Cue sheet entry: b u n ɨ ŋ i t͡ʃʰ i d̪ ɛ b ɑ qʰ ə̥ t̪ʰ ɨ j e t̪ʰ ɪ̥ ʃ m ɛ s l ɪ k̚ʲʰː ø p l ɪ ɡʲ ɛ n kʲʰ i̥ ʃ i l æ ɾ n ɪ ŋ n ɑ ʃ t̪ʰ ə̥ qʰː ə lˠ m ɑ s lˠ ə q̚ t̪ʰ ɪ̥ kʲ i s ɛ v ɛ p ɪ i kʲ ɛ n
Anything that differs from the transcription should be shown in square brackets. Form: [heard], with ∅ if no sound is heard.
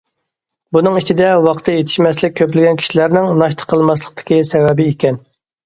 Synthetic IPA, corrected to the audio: b u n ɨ ŋ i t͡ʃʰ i d̪ ɛ [w] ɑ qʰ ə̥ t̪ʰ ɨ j e t̪ʰ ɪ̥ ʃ m ɛ s l ɪ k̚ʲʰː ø p l ɪ ɡʲ ɛ n kʲʰ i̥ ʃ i l æ ɾ n ɪ ŋ n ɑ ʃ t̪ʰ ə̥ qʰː ə lˠ m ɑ s lˠ ə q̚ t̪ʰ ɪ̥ kʲ i s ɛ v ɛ [b] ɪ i kʲ ɛ n